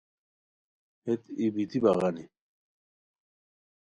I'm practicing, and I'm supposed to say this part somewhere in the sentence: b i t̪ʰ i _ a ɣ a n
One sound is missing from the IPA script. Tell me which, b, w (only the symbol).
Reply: b